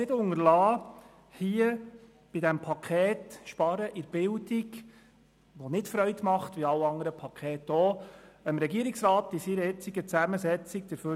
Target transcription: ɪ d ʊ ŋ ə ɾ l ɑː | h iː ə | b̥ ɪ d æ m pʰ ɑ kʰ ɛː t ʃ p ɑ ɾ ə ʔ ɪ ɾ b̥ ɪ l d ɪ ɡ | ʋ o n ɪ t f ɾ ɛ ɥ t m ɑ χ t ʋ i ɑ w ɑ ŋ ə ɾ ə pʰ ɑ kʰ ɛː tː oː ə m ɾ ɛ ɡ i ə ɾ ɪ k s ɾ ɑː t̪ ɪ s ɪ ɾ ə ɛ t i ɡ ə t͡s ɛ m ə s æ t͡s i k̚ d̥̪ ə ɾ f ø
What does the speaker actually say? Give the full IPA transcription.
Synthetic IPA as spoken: ɪ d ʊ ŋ ə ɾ l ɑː | h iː ə | b̥ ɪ d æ m pʰ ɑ kʰ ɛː t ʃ p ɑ ɾ ə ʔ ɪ ɾ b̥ ɪ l d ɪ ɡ | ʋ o n ɪ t f ɾ œ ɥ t m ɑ χ t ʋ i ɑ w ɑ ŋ ə ɾ ə pʰ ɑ kʰ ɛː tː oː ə m ɾ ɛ ɡ i ə ɾ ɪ k s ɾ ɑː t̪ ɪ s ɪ ɾ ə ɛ t͡s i ɡ ə t͡s æ m ə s ɛ t͡s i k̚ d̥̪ ə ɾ f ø